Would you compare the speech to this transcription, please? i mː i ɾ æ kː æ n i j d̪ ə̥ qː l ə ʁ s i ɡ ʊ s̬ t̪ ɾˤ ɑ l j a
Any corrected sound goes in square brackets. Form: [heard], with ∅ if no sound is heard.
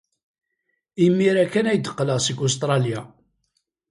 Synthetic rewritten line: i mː i ɾ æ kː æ n [æ] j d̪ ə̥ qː l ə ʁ s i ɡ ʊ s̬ t̪ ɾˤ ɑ l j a